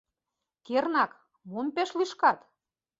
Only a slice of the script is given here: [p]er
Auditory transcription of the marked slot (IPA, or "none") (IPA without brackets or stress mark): k